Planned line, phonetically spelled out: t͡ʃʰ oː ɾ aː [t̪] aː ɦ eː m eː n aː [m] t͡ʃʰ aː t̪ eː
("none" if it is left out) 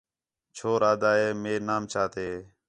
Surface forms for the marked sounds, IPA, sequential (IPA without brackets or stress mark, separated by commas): d̪, m